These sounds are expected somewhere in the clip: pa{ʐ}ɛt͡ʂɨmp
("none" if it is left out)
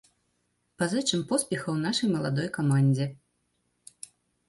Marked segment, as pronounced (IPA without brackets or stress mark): z